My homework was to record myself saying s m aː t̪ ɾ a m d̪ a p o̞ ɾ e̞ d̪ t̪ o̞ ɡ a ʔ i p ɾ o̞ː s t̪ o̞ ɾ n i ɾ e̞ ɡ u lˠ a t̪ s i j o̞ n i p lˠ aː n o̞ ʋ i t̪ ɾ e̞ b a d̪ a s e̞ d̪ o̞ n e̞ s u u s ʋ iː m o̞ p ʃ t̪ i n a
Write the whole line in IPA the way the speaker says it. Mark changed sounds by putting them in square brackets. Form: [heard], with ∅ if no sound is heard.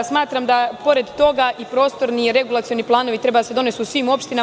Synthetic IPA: s m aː t̪ ɾ a m d̪ a p o̞ ɾ e̞ d̪ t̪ o̞ ɡ a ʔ i p ɾ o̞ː s t̪ o̞ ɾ n i ɾ e̞ ɡ u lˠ a t̪ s i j o̞ n i p lˠ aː n o̞ ʋ i t̪ ɾ e̞ b a d̪ a s e̞ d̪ o̞ n e̞ s u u s ʋ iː m o̞ p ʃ t̪ i n a